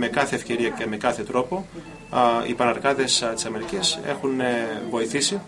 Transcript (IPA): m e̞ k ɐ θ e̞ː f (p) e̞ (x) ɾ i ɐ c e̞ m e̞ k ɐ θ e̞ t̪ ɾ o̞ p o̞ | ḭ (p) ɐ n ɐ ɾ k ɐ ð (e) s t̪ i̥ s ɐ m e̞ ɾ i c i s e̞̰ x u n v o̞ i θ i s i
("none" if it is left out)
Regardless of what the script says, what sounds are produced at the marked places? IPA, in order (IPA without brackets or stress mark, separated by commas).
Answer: c, none, p, e